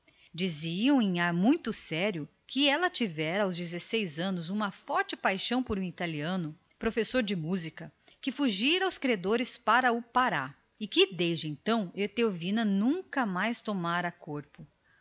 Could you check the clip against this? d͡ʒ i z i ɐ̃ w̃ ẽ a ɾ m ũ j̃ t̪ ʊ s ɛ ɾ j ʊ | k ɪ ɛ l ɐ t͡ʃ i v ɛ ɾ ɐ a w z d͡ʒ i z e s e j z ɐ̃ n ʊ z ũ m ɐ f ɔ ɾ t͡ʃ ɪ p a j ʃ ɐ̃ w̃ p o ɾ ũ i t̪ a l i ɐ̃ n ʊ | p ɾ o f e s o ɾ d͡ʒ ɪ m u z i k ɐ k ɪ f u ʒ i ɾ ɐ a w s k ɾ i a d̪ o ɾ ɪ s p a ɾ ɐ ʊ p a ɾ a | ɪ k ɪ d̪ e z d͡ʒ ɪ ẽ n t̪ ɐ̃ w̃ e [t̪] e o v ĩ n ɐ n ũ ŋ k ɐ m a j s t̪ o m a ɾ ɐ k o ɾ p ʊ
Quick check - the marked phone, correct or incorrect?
correct